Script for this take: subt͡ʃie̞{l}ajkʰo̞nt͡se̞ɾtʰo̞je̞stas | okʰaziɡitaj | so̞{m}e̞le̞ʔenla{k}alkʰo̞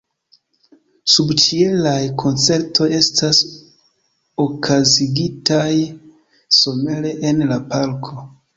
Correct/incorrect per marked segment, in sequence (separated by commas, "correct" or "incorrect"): correct, correct, incorrect